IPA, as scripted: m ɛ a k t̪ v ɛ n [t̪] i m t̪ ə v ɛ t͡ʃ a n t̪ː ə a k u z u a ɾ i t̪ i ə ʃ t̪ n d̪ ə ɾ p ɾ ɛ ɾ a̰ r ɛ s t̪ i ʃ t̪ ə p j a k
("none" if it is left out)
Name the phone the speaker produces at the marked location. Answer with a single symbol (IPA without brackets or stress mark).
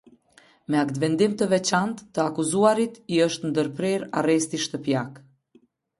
d̪